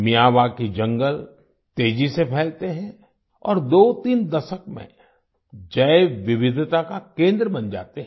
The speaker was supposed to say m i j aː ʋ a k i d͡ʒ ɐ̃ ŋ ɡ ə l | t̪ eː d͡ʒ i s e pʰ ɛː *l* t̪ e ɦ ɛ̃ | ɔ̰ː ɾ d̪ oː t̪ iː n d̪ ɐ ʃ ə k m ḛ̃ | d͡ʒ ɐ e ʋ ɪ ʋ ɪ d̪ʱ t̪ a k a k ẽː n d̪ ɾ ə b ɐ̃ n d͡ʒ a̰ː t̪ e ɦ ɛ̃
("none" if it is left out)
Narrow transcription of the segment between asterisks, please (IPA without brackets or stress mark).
l